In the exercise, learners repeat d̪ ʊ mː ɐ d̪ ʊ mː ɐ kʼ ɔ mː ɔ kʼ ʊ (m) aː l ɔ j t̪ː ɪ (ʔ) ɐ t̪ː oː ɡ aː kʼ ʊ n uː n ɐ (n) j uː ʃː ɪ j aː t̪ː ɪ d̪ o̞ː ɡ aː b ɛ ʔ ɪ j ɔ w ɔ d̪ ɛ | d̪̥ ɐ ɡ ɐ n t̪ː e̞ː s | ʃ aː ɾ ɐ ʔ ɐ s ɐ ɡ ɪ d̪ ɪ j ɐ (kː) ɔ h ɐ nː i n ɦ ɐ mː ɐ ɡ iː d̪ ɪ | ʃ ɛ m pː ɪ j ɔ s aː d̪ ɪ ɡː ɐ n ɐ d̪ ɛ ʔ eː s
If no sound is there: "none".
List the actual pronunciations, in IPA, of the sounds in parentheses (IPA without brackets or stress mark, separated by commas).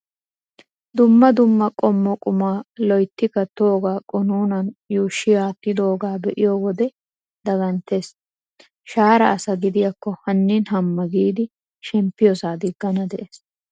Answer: m, k, n, kː